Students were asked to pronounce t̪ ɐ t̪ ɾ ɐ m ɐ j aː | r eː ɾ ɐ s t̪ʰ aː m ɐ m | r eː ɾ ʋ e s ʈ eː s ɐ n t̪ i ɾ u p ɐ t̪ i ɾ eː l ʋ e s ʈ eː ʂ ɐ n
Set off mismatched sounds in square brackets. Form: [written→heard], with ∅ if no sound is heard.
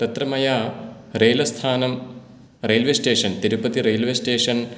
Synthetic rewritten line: t̪ ɐ t̪ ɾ ɐ m ɐ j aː | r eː [ɾ→l] ɐ s t̪ʰ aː [m→n] ɐ m | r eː [ɾ→l] ʋ e s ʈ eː [s→ʂ] ɐ n t̪ i ɾ u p ɐ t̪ i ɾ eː l ʋ e s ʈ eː ʂ ɐ n

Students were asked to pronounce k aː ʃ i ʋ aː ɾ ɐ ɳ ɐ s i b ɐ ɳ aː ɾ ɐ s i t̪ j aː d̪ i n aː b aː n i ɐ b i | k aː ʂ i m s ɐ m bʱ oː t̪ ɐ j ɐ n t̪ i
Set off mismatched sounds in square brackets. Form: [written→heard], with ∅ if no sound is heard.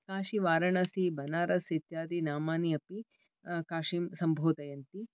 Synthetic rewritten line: k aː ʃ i ʋ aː ɾ ɐ ɳ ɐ s i b ɐ [ɳ→n] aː ɾ ɐ s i t̪ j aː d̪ i n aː [b→m] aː n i ɐ [b→p] i | k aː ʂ i m s ɐ m bʱ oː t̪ ɐ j ɐ n t̪ i

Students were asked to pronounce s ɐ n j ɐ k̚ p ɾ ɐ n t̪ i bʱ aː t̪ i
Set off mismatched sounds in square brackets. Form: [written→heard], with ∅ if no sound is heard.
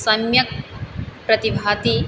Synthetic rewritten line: s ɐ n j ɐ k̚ p ɾ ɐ [n→∅] t̪ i bʱ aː t̪ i

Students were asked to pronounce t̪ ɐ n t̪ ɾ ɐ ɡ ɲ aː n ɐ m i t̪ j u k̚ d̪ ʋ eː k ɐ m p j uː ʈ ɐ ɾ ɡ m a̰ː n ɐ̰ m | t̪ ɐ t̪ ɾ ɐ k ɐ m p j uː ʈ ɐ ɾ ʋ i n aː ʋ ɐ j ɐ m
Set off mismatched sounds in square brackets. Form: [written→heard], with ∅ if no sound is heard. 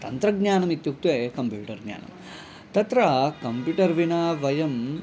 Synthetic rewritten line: t̪ ɐ n t̪ ɾ ɐ ɡ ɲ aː n ɐ m i t̪ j u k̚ [d̪→t̪] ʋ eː k ɐ m p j uː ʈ ɐ ɾ ɡ [m→ɲ] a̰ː n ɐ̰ m | t̪ ɐ t̪ ɾ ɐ k ɐ m p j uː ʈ ɐ ɾ ʋ i n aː ʋ ɐ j ɐ m

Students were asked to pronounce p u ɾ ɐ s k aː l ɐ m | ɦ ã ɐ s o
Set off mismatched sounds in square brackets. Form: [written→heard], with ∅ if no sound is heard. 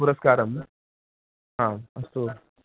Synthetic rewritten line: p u ɾ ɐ s k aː [l→ɾ] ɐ m | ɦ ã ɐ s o

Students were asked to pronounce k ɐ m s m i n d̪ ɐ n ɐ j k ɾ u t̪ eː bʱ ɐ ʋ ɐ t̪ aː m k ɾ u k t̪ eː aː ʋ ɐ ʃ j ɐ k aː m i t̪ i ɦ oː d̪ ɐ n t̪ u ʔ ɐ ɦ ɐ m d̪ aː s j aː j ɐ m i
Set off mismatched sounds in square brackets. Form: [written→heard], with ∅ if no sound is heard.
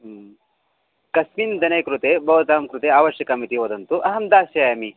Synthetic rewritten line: k ɐ [m→∅] s m i n d̪ ɐ n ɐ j k ɾ u t̪ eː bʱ ɐ ʋ ɐ t̪ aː m k ɾ u [k→∅] t̪ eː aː ʋ ɐ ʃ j ɐ k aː m i t̪ i ɦ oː d̪ ɐ n t̪ u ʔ ɐ ɦ ɐ m d̪ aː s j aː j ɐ m i

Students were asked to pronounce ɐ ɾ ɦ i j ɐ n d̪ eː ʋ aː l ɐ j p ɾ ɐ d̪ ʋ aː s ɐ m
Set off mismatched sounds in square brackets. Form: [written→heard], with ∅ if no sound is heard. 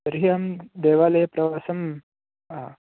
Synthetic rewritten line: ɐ ɾ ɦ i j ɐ [n→m] d̪ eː ʋ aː l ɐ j p ɾ ɐ [d̪→∅] ʋ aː s ɐ m

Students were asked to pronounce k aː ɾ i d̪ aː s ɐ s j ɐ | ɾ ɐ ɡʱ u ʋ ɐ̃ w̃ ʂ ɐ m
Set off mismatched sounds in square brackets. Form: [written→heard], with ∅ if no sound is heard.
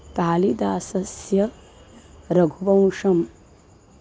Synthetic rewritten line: k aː [ɾ→l] i d̪ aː s ɐ s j ɐ | ɾ ɐ ɡʱ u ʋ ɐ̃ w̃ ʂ ɐ m

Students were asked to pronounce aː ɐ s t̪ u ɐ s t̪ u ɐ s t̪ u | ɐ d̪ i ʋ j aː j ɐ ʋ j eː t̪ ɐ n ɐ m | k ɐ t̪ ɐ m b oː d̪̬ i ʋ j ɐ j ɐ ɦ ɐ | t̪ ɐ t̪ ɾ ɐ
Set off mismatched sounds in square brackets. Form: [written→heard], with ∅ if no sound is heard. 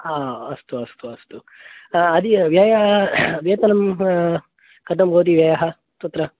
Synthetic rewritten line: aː ɐ s t̪ u ɐ s t̪ u ɐ s t̪ u | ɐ d̪ i ʋ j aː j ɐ ʋ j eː t̪ ɐ n ɐ m | k ɐ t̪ ɐ m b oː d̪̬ i ʋ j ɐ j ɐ ɦ ɐ | t̪ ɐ t̪ ɾ ɐ

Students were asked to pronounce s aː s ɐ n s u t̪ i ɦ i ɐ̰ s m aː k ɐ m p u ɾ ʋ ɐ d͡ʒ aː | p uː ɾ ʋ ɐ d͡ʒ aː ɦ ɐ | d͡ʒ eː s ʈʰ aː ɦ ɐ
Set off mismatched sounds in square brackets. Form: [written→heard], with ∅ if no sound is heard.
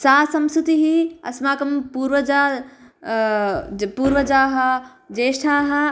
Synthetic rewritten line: s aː s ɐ [n→m] s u t̪ i ɦ i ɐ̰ s m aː k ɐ m p u ɾ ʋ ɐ d͡ʒ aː | p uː ɾ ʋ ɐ d͡ʒ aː ɦ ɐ | d͡ʒ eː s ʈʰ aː ɦ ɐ

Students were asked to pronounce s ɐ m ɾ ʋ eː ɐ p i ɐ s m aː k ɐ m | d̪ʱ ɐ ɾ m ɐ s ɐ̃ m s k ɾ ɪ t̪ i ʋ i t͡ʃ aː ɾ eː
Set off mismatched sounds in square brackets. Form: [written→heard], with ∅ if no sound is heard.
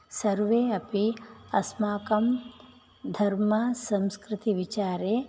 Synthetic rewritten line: s ɐ [m→∅] ɾ ʋ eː ɐ p i ɐ s m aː k ɐ m | d̪ʱ ɐ ɾ m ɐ s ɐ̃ m s k ɾ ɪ t̪ i ʋ i t͡ʃ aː ɾ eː

